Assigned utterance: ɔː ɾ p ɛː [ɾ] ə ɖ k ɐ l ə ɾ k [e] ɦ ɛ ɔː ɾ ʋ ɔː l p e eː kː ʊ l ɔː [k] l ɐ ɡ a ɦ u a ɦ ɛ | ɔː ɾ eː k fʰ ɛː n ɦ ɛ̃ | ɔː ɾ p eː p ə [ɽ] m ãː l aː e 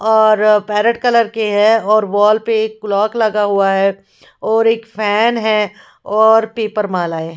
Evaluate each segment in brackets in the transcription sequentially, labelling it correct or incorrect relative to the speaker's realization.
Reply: correct, correct, correct, incorrect: ɾ

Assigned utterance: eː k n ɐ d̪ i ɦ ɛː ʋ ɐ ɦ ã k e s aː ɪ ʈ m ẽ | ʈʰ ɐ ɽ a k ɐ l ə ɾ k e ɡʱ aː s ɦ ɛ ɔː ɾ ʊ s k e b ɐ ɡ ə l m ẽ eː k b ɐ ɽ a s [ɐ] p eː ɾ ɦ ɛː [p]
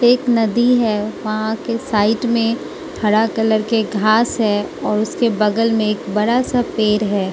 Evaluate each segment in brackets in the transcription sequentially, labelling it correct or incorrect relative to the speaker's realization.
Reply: incorrect: a, incorrect: none

